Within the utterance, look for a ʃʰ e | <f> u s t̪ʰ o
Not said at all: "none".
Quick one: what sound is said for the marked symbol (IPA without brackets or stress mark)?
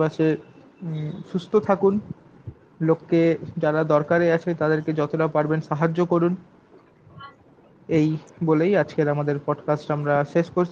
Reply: ʃ